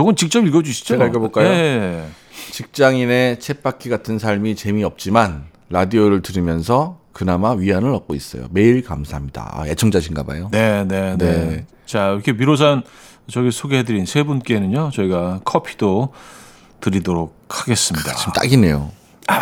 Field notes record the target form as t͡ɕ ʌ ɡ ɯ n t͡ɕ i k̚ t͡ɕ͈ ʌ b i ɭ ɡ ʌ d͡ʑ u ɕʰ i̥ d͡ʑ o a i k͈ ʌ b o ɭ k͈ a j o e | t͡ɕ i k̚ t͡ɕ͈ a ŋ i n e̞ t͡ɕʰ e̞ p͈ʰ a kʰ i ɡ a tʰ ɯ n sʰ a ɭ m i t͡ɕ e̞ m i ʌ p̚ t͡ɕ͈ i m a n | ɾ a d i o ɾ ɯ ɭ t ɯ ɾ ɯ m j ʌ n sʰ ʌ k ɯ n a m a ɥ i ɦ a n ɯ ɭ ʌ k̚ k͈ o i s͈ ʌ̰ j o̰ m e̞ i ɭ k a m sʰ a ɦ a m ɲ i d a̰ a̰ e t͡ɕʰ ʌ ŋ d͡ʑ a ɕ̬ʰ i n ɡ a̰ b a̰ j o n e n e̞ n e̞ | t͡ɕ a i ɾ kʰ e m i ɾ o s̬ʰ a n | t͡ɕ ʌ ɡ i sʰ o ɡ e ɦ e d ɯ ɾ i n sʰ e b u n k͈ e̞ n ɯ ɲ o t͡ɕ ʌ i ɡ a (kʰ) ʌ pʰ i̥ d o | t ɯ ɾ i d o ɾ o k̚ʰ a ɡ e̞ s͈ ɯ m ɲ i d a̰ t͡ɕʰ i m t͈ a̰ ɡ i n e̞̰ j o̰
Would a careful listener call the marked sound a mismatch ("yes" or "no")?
no